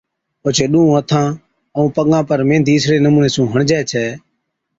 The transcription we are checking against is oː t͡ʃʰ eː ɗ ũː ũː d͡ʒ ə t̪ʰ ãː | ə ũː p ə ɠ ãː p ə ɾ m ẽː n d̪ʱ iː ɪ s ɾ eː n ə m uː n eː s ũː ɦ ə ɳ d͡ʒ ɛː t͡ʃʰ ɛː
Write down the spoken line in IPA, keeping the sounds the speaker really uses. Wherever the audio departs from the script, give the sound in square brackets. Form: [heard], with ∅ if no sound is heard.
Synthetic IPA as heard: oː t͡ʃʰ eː ɗ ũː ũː [∅] ə t̪ʰ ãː | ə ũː p ə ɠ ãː p ə ɾ m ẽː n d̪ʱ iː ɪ s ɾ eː n ə m uː n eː s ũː ɦ ə ɳ d͡ʒ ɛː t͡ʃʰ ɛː